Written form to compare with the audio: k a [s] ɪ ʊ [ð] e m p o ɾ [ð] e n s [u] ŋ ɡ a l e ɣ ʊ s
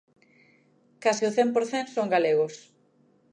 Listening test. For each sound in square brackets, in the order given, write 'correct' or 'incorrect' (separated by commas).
correct, incorrect, incorrect, incorrect